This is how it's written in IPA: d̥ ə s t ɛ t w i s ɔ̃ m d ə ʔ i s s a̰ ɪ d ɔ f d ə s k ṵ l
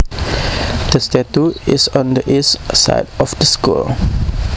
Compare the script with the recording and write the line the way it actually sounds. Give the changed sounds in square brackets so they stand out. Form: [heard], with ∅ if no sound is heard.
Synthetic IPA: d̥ ə s t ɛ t [u] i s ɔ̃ [n] d ə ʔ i s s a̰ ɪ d ɔ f d ə s k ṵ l